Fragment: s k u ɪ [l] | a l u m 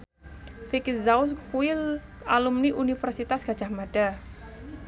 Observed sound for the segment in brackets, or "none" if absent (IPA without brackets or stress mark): l